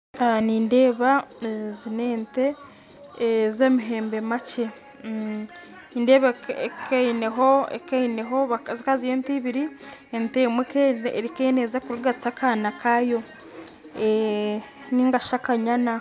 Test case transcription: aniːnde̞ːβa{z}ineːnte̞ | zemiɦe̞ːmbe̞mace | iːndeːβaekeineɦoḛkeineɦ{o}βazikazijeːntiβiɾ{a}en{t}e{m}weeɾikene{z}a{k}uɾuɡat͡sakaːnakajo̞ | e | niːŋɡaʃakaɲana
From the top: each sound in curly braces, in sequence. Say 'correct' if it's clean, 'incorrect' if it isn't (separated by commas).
correct, correct, incorrect, correct, correct, correct, correct